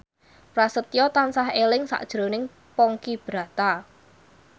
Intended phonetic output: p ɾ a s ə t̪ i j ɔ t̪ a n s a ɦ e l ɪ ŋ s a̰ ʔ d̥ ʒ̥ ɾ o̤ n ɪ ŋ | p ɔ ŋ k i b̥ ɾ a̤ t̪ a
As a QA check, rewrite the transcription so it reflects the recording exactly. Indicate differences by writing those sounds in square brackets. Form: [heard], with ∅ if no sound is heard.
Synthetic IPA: p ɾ a s ə t̪ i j ɔ t̪ a n s a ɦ e l ɪ ŋ s a̰ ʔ d̥ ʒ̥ ɾ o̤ n ɪ ŋ | p ɔ ŋ k i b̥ ɾ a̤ t̪ a

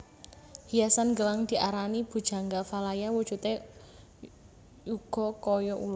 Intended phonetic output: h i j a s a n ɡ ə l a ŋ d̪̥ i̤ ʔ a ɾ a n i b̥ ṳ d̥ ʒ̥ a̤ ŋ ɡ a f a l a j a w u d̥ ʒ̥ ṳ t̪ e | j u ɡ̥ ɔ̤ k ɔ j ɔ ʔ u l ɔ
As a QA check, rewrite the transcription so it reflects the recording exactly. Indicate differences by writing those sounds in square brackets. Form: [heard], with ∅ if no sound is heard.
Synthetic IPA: h i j a s a n ɡ ə l a ŋ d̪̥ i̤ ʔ a ɾ a n i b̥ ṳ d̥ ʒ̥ a̤ ŋ ɡ a f a l a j a w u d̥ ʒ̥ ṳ t̪ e | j u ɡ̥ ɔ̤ k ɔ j ɔ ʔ u l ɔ

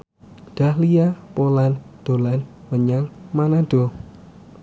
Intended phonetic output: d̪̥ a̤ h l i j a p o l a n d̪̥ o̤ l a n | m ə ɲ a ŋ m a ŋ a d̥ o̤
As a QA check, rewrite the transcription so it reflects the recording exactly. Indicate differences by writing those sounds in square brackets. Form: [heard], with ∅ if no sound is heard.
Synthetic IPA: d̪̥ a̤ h l i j a p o l a n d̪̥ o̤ l a n | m ə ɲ a ŋ m a [n] a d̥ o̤

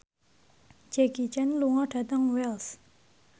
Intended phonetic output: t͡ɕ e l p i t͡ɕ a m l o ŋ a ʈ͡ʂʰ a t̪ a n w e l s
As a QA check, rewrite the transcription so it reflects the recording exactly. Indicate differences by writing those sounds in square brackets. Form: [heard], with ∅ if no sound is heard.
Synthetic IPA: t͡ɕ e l [k] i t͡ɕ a [n] l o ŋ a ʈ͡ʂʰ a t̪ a [ŋ] w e l s

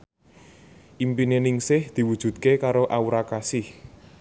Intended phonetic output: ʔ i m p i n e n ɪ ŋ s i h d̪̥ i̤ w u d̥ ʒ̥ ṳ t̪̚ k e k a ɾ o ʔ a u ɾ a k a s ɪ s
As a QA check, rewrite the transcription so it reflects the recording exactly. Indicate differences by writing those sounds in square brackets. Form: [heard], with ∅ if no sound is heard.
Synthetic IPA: ʔ i m p i n e n ɪ ŋ s [ɪ] h d̪̥ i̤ w u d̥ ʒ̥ ṳ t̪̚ k e k a ɾ o ʔ a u ɾ a k a s ɪ [h]

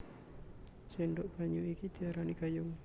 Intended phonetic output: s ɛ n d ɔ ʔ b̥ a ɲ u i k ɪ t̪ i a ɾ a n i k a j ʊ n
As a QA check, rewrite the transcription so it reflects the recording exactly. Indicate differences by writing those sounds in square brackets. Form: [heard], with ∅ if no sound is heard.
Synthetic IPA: s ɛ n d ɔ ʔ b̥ a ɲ u i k [i] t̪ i a ɾ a n i k a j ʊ [ŋ]

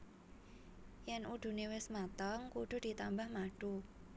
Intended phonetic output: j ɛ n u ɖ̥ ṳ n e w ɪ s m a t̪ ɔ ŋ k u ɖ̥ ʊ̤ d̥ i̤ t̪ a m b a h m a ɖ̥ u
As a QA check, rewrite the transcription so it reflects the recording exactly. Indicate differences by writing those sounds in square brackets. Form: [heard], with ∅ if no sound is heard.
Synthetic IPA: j ɛ n u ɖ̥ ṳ n e w ɪ s m a t̪ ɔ ŋ k u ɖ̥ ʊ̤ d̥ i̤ t̪ a m b a h m a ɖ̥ u

